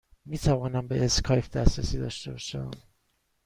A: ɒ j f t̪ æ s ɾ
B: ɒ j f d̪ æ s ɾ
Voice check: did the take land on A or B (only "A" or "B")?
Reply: B